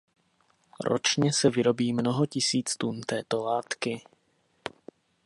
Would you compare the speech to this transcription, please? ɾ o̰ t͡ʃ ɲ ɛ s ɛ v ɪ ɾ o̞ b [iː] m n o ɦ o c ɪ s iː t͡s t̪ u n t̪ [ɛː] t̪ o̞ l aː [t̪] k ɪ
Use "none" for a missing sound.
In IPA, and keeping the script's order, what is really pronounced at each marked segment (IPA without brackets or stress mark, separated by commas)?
iː, ɛː, t̪